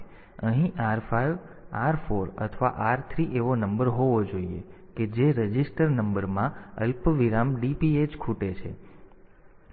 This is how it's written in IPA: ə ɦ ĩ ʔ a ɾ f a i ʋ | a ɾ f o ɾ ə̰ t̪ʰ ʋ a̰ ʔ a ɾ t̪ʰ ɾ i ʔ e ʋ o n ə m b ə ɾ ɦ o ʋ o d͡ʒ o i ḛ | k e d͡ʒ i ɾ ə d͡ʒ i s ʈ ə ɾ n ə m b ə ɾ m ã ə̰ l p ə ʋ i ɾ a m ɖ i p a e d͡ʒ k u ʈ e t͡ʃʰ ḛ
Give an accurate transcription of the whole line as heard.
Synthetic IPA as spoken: ə ɦ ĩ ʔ a ɾ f a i ʋ | a ɾ f o ɾ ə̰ t̪ʰ ʋ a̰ ʔ a ɾ t̪ʰ ɾ i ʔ e ʋ o n ə m b ə ɾ ɦ o ʋ o d͡ʒ o i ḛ | k e d͡ʒ e ɾ ə d͡ʒ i s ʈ ə ɾ n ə m b ə ɾ m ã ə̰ l p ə ʋ i ɾ a m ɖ i p i e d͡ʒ kʰ u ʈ e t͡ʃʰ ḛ

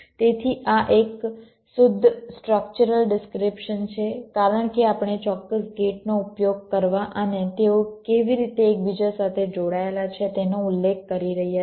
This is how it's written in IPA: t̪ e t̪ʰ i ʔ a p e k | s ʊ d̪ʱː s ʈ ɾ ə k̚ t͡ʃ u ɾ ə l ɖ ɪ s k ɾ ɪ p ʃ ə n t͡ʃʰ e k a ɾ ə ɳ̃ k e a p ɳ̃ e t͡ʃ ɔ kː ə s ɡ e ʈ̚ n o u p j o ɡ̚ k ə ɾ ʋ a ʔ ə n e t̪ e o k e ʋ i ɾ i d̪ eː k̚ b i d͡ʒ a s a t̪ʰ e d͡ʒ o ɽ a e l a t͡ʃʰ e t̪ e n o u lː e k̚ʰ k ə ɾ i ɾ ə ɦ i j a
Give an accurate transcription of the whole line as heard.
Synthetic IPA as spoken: t̪ e t̪ʰ i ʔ a ʔ e k | s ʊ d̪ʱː s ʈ ɾ ə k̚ t͡ʃ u ɾ ə l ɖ ɪ s k ɾ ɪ p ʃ ə n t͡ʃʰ e k a ɾ ə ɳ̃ k e a p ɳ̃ e t͡ʃ ɔ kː ə s ɡ e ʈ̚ n o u p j o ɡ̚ k ə ɾ ʋ a ʔ ə n e t̪ e o k e ʋ i ɾ i t̪ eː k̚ b i d͡ʒ a s a t̪ʰ e d͡ʒ o ɽ a e l a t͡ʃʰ e t̪ e n o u lː e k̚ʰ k ə ɾ i ɾ ə ɦ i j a

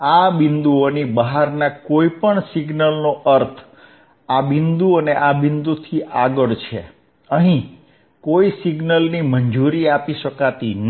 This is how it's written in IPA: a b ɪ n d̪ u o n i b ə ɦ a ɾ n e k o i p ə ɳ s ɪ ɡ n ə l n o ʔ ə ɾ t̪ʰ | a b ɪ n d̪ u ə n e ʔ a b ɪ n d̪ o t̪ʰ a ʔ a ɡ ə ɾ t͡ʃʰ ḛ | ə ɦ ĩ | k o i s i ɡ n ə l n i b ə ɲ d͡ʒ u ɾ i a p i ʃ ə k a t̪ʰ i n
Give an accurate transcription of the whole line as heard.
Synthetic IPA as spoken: a b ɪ n d̪ u o n i b ə ɦ a ɾ n a k o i p ə ɳ s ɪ ɡ n ə l n o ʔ ə ɾ t̪ʰ | a b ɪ n d̪ u ə n e ʔ a b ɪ n d̪ u t̪ʰ i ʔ a ɡ ə ɭ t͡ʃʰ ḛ | ə ɦ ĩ | k o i s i ɡ n ə l n i m ə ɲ d͡ʒ u ɾ i a p i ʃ ə k a t̪ i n

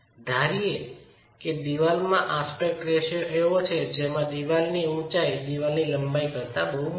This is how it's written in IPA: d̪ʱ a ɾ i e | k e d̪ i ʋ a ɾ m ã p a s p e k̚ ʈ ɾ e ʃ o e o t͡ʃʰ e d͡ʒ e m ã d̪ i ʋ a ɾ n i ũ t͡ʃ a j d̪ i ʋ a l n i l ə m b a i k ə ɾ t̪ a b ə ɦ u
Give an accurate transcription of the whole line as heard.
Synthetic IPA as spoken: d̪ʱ a ɾ i e | k e d̪ i ʋ a l m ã ʔ a s p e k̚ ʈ ɾ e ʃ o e o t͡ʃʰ e d͡ʒ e m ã d̪ i ʋ a l n i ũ t͡ʃ a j d̪ i ʋ a l n i l ə m b a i k ə ɾ t̪ a b ə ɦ u

